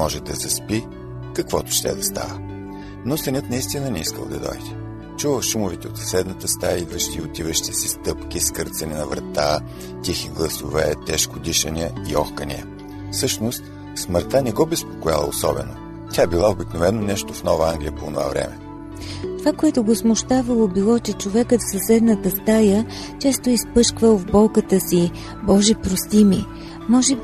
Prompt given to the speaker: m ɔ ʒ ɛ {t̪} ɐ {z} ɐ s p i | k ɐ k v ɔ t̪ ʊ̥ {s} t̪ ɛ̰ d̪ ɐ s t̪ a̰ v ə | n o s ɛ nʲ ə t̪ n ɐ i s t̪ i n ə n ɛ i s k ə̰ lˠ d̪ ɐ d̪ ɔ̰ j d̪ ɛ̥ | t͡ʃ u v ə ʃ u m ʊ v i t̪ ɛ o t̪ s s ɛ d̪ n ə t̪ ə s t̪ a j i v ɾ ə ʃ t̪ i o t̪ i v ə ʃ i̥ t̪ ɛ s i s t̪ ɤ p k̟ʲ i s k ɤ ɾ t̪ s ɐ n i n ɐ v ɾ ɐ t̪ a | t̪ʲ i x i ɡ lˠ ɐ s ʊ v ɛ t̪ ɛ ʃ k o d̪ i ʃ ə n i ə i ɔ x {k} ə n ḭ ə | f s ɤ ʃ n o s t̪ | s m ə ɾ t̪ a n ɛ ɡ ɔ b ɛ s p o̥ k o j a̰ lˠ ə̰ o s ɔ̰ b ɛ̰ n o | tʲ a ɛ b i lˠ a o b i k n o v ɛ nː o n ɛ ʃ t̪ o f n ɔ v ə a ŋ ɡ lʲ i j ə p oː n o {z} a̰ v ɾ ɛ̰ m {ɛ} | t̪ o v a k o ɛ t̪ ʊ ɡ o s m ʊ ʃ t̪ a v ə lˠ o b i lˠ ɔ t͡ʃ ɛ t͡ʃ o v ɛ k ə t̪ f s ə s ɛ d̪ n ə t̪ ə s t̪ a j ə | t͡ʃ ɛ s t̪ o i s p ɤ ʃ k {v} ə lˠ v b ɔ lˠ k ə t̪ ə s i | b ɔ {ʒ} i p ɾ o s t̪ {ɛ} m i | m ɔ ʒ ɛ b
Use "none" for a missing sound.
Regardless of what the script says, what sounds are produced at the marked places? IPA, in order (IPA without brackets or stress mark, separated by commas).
d̪, z, ʃ, k, v, ɛ, v, ʒ, i